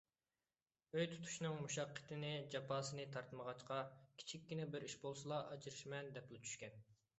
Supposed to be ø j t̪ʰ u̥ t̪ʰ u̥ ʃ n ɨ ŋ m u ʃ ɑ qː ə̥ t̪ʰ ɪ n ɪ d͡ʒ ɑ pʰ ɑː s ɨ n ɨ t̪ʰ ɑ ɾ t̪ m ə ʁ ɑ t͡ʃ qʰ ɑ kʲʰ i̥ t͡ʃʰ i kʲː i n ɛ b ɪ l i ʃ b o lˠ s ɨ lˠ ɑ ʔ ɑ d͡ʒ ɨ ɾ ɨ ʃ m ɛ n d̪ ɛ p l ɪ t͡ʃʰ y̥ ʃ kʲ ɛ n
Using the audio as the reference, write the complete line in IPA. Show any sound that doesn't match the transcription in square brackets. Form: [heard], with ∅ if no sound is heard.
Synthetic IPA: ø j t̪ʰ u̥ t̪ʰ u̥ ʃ n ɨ ŋ m u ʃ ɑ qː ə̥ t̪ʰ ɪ n ɪ d͡ʒ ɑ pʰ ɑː s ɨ n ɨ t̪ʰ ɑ ɾ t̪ m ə ʁ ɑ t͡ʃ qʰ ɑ kʲʰ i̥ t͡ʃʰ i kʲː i n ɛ b ɪ [ɾ] i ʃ b o lˠ s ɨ lˠ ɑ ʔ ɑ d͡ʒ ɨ ɾ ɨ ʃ m ɛ n d̪ ɛ p l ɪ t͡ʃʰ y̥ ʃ kʲ ɛ n